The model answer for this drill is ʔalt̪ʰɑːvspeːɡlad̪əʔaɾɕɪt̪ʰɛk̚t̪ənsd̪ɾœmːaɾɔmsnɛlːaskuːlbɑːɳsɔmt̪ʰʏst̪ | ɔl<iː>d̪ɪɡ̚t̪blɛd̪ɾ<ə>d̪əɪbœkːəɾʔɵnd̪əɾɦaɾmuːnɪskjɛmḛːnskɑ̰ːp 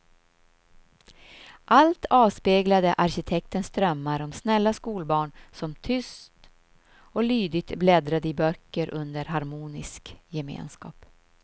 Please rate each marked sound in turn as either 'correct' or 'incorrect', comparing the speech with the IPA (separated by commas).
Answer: incorrect, incorrect